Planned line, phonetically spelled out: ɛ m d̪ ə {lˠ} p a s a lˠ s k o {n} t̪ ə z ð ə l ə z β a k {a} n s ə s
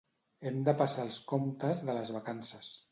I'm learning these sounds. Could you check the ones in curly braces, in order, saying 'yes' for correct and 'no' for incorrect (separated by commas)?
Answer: no, no, yes